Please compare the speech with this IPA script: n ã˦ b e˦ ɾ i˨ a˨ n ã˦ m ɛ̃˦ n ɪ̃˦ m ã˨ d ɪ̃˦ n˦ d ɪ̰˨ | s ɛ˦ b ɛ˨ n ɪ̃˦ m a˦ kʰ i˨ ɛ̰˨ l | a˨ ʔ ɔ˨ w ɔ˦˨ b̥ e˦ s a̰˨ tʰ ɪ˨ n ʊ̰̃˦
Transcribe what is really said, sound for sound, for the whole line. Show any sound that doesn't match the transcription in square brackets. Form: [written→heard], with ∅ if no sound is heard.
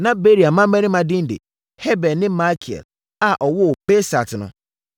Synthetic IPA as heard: n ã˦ b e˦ ɾ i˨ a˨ [n→m] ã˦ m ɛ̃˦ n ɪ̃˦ m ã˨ d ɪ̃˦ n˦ d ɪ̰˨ | [s→h] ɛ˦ b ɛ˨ n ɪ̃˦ m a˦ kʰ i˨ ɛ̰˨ l | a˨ ʔ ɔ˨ w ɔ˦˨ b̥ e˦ s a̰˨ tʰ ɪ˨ n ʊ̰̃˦